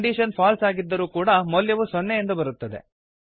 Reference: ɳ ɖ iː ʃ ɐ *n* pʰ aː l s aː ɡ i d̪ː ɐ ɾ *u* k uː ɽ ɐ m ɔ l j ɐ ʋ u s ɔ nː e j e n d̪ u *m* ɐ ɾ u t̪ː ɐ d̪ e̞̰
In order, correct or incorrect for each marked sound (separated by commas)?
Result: correct, incorrect, incorrect